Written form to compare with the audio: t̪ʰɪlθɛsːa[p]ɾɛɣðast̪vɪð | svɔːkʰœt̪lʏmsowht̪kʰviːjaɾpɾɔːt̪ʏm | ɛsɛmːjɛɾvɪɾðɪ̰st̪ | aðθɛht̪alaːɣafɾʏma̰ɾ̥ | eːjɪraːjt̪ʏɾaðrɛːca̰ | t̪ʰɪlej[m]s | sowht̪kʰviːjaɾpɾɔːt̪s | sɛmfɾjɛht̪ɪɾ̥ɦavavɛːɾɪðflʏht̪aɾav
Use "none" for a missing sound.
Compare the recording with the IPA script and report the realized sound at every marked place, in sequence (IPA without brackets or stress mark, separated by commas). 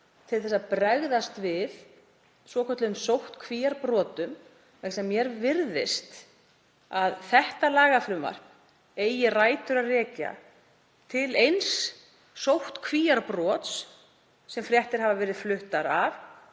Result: p, n